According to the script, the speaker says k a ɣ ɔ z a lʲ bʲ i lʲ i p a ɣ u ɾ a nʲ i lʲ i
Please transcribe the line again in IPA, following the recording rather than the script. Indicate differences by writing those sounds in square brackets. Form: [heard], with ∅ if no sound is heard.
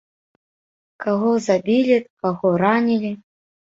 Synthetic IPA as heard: k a ɣ ɔ z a [∅] bʲ i lʲ i [k] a ɣ [ɔ] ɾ a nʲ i lʲ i